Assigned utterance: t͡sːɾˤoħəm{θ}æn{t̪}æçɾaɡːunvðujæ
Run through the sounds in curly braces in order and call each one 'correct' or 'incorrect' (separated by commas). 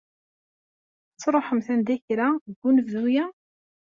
correct, incorrect